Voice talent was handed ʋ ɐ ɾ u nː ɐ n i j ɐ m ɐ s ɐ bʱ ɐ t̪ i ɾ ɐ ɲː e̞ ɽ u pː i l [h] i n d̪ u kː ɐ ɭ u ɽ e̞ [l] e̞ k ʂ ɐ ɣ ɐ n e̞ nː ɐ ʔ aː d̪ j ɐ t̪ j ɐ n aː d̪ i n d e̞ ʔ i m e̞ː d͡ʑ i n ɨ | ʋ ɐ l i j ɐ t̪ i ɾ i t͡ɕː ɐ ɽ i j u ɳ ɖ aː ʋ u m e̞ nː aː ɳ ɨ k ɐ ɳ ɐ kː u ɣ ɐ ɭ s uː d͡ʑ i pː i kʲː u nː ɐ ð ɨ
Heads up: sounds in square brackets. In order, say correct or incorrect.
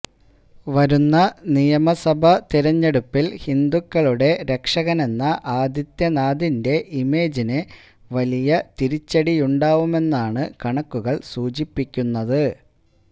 correct, incorrect: ɾ

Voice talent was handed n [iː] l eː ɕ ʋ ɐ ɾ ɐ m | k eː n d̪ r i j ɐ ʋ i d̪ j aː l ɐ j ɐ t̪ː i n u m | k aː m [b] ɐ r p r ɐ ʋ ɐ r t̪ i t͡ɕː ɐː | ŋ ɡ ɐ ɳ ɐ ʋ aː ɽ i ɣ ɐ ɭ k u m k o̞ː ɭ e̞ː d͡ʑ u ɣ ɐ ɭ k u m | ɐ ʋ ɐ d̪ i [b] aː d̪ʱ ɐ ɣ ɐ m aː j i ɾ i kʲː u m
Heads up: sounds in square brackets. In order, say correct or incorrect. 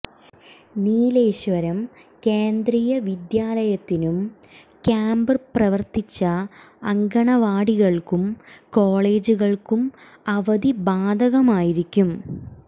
correct, correct, correct

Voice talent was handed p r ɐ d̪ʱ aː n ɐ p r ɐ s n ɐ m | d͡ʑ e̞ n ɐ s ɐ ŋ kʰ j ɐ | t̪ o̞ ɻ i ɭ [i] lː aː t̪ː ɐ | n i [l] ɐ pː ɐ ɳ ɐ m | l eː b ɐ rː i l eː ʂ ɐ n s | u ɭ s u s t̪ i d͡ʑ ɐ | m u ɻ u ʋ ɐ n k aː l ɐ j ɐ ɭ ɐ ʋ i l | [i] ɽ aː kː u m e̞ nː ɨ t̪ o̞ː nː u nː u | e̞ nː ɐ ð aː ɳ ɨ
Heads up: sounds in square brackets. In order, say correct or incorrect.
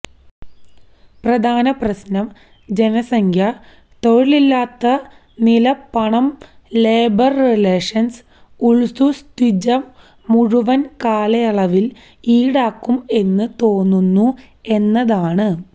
correct, correct, incorrect: iː

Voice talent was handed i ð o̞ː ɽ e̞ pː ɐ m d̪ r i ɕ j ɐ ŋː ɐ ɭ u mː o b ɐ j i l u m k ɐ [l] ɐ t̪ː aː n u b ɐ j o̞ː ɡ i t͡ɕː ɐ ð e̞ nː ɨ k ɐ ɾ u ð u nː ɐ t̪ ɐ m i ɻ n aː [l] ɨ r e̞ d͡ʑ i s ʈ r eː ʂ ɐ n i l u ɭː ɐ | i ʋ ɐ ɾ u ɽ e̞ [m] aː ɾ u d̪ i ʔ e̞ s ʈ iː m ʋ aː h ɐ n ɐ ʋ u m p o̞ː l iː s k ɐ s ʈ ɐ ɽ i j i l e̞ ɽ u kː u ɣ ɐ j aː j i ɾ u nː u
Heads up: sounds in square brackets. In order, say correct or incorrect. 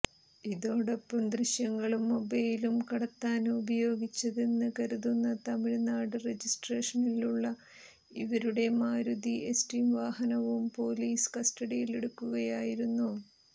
incorrect: ɽ, incorrect: ɽ, correct

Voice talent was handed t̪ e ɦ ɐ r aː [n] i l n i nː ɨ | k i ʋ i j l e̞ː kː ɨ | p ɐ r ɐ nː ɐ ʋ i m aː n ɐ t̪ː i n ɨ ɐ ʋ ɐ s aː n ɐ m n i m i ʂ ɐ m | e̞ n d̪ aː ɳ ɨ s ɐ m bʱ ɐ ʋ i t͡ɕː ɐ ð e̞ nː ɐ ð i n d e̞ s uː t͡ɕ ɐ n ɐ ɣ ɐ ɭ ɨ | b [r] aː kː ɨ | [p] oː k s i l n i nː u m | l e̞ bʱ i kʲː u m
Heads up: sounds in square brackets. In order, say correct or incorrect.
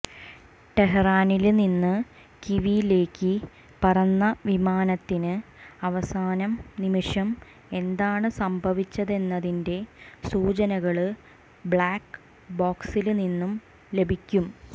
correct, incorrect: ɭ, incorrect: b

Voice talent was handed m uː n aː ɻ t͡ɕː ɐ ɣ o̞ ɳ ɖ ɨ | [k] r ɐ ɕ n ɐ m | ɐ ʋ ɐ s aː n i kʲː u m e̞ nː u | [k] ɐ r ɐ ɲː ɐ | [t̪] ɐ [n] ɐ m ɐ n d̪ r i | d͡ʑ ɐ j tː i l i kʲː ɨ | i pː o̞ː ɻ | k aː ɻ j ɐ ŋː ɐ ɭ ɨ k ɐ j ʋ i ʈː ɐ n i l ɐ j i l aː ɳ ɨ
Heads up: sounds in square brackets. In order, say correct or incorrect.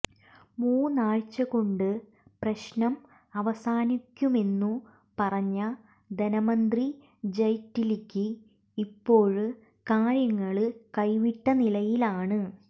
incorrect: p, incorrect: p, incorrect: d̪, correct

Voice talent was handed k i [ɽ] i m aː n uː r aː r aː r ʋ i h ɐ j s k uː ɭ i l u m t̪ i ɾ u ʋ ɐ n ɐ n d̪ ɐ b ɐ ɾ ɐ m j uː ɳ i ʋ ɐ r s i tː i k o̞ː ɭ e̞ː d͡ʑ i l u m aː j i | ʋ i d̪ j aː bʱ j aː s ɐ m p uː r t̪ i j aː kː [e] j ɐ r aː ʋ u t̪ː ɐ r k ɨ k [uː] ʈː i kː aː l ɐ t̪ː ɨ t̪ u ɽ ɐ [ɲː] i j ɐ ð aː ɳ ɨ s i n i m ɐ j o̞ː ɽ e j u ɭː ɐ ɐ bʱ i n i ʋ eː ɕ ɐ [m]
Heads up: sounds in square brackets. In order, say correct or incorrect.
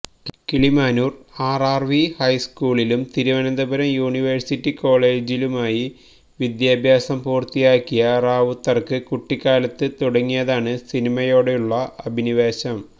incorrect: ɭ, incorrect: i, incorrect: u, incorrect: ŋː, correct

